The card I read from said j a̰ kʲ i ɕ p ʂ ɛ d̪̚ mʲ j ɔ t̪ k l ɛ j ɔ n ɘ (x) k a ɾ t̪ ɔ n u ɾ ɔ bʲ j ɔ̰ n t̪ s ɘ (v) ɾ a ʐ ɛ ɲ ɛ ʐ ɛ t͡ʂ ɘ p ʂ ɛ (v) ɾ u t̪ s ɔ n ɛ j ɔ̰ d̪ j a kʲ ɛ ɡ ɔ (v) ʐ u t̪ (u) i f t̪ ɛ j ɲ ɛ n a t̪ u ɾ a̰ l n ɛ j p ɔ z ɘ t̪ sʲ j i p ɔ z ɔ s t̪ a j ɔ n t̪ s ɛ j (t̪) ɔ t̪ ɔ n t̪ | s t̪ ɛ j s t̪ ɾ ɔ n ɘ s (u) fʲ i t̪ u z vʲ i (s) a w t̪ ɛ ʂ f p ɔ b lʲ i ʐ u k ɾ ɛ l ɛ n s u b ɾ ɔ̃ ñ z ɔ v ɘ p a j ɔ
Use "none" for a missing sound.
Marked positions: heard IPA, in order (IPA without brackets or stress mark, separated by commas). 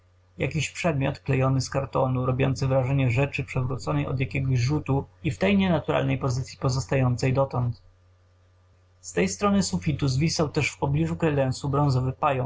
s, v, v, ʑ, u, d̪, u, s